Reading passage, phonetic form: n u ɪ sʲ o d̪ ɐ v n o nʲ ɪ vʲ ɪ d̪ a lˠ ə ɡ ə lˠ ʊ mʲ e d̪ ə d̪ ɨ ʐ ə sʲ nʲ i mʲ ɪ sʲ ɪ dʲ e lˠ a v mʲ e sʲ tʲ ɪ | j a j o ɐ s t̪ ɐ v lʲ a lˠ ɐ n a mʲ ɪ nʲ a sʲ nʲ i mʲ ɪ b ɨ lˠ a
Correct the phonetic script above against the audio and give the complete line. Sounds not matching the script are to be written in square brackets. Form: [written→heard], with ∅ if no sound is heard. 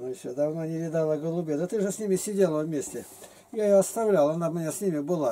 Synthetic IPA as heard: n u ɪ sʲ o d̪ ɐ v n o nʲ ɪ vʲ ɪ d̪ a lˠ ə ɡ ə lˠ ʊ [mʲ→bʲ] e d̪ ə [d̪→t̪] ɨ ʐ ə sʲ nʲ i mʲ ɪ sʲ ɪ dʲ e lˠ [a→ə] v mʲ e sʲ tʲ ɪ | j a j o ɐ s t̪ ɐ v lʲ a lˠ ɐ n a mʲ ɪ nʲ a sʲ nʲ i mʲ ɪ b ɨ lˠ a